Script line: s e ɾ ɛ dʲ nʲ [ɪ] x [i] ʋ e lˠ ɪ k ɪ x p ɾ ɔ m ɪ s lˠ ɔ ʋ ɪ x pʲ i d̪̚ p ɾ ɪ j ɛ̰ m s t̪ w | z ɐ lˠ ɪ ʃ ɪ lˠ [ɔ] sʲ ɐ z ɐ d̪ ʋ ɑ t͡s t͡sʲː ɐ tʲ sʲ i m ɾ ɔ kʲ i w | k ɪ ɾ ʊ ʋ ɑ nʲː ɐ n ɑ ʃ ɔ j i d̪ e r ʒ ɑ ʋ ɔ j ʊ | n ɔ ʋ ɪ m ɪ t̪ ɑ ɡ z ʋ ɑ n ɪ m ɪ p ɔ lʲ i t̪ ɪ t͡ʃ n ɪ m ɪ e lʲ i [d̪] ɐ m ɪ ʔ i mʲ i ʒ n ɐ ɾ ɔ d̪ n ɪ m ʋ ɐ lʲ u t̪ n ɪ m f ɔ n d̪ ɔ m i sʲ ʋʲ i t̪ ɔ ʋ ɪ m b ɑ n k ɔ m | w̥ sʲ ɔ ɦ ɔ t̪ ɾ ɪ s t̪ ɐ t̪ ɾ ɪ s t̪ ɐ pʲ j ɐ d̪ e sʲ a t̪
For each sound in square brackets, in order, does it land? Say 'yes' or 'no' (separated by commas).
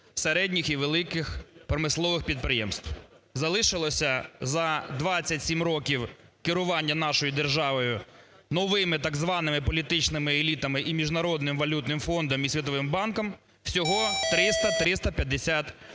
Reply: no, yes, yes, no